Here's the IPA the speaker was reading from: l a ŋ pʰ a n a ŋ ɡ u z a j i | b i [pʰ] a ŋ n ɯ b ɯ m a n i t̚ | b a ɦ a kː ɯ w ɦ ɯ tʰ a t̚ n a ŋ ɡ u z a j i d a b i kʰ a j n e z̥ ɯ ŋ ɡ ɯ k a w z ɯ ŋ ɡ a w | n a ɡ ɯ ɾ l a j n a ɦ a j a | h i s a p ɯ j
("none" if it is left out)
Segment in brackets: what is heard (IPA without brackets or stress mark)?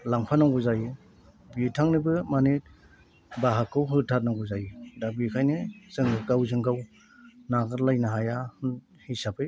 tʰ